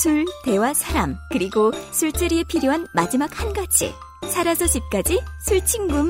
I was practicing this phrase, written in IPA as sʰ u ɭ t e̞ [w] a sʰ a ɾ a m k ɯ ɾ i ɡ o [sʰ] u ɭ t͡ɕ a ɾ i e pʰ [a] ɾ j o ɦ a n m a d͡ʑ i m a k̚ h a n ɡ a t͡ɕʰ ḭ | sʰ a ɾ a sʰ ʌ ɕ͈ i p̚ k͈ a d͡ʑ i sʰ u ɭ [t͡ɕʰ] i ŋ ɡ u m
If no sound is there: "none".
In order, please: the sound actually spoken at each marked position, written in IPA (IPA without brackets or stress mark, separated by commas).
w, sʰ, i, t͡ɕʰ